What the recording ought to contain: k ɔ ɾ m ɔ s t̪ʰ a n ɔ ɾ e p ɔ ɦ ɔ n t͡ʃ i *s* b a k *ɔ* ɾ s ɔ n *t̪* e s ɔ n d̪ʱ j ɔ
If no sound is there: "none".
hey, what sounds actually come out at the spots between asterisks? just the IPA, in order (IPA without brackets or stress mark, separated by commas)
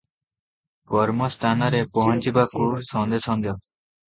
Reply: none, u, d̪